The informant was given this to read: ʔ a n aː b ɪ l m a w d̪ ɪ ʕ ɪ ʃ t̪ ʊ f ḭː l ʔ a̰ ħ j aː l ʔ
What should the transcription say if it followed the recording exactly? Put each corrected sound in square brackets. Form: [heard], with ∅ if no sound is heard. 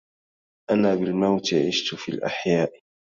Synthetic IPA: ʔ a n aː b ɪ l m a w [t̪] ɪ ʕ ɪ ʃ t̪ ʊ f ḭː l ʔ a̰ ħ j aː [∅] ʔ